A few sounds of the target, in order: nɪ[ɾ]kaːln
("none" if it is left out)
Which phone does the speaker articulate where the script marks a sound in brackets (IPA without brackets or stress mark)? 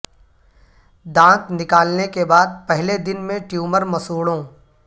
none